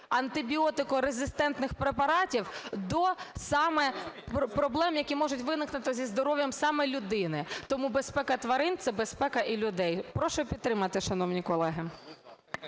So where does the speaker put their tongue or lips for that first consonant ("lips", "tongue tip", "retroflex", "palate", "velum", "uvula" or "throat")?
tongue tip